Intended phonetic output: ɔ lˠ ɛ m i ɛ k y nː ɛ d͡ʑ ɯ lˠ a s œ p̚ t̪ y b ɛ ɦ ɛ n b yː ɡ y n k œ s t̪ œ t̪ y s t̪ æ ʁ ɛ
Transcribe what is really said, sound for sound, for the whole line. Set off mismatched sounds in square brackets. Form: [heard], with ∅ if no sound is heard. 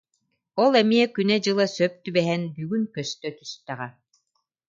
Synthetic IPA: ɔ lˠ ɛ m i ɛ k y [n] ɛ d͡ʑ ɯ lˠ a s œ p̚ t̪ y b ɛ ɦ ɛ n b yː ɡ y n k œ s t̪ œ t̪ y s t̪ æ ʁ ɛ